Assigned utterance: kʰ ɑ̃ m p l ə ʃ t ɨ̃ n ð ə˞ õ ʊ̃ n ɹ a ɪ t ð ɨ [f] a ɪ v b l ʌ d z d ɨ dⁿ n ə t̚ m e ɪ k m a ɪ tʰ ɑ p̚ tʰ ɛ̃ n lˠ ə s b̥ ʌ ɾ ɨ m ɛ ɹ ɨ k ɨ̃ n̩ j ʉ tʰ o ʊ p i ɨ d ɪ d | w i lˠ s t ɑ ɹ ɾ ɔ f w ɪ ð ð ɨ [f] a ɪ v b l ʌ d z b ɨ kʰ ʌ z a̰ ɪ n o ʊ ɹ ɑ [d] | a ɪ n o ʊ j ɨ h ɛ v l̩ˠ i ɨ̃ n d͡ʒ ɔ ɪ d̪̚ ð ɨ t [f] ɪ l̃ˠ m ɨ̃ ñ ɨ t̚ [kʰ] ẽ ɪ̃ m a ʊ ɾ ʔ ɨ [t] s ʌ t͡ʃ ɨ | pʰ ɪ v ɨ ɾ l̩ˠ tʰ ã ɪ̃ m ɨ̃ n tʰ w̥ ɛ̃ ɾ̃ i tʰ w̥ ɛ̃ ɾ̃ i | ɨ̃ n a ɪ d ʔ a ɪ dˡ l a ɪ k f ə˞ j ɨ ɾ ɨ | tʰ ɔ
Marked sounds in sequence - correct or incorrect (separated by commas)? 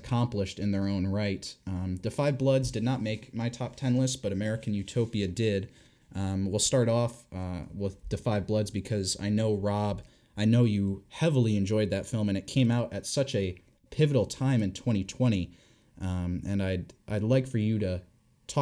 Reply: correct, correct, incorrect, correct, correct, correct